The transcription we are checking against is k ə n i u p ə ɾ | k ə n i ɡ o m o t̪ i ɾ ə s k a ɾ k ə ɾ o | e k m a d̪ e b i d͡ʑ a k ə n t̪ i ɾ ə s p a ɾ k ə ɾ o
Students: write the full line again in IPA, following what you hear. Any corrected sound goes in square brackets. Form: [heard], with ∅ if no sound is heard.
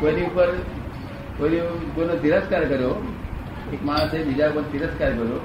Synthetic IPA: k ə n i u p ə ɾ | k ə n i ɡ o [n] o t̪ i ɾ ə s k a ɾ k ə ɾ o | e k m a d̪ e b i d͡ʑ a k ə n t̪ i ɾ ə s [k] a ɾ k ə ɾ o